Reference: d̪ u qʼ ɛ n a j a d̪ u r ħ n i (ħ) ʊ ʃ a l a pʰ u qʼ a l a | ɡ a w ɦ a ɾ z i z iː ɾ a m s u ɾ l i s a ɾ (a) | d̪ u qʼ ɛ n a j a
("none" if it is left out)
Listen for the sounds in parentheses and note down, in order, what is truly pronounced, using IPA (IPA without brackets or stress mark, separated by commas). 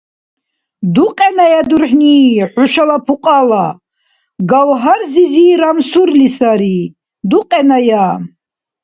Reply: ħ, i